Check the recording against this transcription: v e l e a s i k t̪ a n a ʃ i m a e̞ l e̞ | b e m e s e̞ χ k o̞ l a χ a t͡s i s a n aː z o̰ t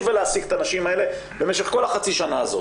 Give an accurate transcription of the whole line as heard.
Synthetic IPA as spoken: v e l e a s i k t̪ a n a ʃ i m a e̞ l e̞ | b e m e ʃ e̞ χ k o̞ l a χ a t͡s i ʃ a n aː z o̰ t